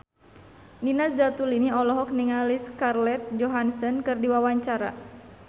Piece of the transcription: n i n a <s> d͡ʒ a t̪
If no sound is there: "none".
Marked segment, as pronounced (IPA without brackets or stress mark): s